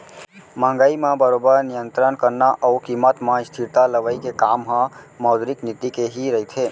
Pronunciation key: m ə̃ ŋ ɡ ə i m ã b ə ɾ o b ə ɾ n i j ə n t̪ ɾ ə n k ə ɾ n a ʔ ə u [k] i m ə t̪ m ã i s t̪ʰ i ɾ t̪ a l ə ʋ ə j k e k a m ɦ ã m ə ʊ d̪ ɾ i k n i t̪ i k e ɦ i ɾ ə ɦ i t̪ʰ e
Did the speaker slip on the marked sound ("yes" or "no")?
no